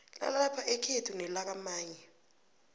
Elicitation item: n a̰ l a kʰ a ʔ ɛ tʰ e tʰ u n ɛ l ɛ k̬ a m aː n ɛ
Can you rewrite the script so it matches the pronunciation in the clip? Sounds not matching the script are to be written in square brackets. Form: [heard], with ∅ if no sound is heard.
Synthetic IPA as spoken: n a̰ l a [pʰ] a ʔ ɛ [kʰ] e tʰ u n ɛ l [a] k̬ a m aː [ɲ] ɛ